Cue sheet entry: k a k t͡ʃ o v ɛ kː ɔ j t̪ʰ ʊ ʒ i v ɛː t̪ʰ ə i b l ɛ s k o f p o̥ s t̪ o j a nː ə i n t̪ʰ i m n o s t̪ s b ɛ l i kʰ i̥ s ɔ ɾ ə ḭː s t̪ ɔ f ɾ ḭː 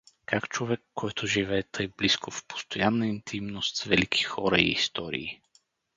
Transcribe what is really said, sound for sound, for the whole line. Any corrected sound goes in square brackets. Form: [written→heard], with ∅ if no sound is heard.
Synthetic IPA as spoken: k a k t͡ʃ o v ɛ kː ɔ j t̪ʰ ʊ ʒ i v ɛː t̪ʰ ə [i→j] b l [ɛ→i] s k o f p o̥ s t̪ o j a nː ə i n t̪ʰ i m n o s t̪ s [b→v] ɛ l i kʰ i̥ [s→x] ɔ ɾ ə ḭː s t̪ ɔ [f→∅] ɾ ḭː